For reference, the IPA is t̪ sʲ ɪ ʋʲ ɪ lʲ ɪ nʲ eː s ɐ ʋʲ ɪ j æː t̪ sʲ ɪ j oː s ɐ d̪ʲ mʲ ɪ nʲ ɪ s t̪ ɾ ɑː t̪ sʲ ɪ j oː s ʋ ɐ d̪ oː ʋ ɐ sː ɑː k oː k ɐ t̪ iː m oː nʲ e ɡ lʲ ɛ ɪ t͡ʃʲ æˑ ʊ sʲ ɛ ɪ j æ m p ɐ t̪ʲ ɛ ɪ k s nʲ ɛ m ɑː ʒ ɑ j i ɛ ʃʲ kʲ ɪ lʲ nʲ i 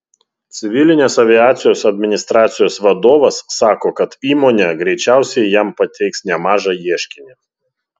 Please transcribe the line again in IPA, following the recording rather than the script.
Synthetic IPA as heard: t̪ sʲ ɪ ʋʲ ɪ lʲ ɪ nʲ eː s ɐ ʋʲ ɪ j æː t̪ sʲ ɪ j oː s ɐ d̪ʲ mʲ ɪ nʲ ɪ s t̪ ɾ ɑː t̪ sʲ ɪ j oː s ʋ ɐ d̪ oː ʋ ɐ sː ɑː k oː k ɐ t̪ iː m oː nʲ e ɡ ɾʲ ɛ ɪ t͡ʃʲ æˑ ʊ sʲ ɛ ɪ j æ m p ɐ t̪ʲ ɛ ɪ k s nʲ ɛ m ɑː ʒ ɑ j i ɛ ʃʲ kʲ ɪ nʲ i

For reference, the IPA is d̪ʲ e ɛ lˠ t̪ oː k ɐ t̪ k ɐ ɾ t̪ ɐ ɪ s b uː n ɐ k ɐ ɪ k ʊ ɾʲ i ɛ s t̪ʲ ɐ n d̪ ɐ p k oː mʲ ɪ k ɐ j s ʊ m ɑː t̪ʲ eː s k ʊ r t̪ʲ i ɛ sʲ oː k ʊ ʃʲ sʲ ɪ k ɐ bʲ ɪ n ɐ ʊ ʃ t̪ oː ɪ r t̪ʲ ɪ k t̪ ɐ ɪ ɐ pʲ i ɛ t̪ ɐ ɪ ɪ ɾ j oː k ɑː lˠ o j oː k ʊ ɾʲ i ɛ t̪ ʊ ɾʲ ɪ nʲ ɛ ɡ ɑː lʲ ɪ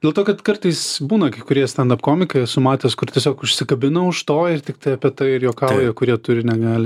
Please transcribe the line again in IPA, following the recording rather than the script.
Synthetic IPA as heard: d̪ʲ e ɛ lˠ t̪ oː k ɐ t̪ k ɐ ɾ t̪ ɐ ɪ s b uː n ɐ k ɐ ɪ k ʊ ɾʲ i ɛ s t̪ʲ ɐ n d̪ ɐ p k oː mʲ ɪ k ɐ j s ʊ m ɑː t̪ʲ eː s k ʊ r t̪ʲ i ɛ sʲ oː k ʊ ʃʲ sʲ ɪ k ɐ bʲ ɪ n ɐ ʊ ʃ t̪ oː ɪ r t̪ʲ ɪ k t̪ ɐ ɪ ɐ pʲ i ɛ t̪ ɐ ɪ ɪ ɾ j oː k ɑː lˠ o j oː k ʊ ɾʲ i ɛ t̪ ʊ ɾʲ ɪ nʲ ɛ ɡ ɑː lʲ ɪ

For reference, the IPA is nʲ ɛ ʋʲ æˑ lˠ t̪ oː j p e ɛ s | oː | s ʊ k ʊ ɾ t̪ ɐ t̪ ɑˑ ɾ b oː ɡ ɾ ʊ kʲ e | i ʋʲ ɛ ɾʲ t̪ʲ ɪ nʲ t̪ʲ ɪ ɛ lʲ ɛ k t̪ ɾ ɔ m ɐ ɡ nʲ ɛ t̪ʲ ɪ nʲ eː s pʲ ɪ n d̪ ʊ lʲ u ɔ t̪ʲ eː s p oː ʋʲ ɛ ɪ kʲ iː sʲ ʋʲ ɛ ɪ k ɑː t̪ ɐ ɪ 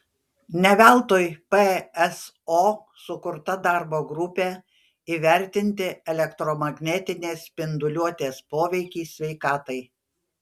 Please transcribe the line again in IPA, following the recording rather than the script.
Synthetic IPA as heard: nʲ ɛ ʋʲ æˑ lˠ t̪ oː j p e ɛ s | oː | s ʊ k ʊ ɾ t̪ ɐ d̪ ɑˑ ɾ b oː ɡ ɾ ʊ pʲ e | i ʋʲ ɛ ɾʲ t̪ʲ ɪ nʲ t̪ʲ ɪ ɛ lʲ ɛ k t̪ ɾ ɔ m ɐ ɡ nʲ ɛ t̪ʲ ɪ nʲ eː s pʲ ɪ n d̪ ʊ lʲ u ɔ t̪ʲ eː s p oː ʋʲ ɛ ɪ kʲ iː sʲ ʋʲ ɛ ɪ k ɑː t̪ ɐ ɪ

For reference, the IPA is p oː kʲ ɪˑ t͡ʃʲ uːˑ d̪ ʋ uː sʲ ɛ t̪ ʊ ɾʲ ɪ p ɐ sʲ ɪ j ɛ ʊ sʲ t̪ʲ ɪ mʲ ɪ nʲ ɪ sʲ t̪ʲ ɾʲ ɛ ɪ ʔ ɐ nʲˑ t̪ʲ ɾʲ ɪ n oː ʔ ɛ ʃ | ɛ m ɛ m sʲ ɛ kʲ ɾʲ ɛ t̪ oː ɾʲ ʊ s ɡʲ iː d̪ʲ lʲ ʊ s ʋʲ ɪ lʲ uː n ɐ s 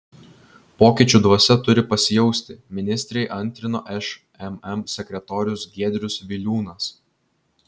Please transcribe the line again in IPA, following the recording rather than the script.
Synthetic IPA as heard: p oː kʲ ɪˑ t͡ʃʲ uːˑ d̪ ʋ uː sʲ ɛ t̪ ʊ ɾʲ ɪ p ɐ sʲ ɪ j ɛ ʊ sʲ t̪ʲ ɪ mʲ ɪ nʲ ɪ sʲ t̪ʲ ɾʲ ɛ ɪ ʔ ɐ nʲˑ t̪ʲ ɾʲ ɪ n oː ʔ ɛ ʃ | ɛ m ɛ m sʲ ɛ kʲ ɾʲ ɛ t̪ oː ɾʲ ʊ s ɡʲ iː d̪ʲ ɾʲ ʊ s ʋʲ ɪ lʲ uː n ɐ s

